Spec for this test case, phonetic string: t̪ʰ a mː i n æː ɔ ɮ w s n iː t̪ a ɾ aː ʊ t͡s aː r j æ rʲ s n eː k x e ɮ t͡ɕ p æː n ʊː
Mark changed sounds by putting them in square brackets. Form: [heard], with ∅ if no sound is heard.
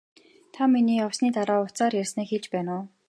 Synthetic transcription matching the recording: t̪ʰ a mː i n [iː] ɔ [∅] w s n iː t̪ a ɾ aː ʊ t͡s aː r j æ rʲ s n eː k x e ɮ t͡ɕ p æː n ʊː